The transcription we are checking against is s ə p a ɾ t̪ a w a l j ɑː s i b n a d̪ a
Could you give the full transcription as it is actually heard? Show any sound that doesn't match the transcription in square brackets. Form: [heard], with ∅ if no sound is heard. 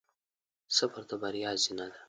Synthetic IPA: s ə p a ɾ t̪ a [b] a [ɾ] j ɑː [z] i [∅] n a d̪ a